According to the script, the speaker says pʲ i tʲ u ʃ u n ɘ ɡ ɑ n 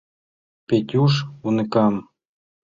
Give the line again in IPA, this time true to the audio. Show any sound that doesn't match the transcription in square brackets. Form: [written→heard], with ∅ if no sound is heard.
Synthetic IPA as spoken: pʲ [i→e] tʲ u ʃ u n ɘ [ɡ→k] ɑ [n→m]